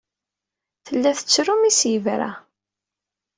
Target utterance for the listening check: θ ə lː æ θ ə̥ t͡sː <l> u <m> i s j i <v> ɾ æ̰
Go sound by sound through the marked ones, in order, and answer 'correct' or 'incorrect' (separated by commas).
incorrect, correct, correct